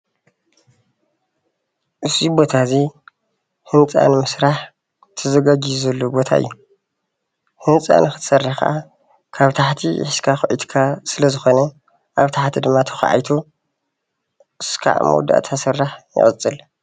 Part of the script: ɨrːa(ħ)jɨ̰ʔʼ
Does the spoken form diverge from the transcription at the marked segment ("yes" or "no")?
no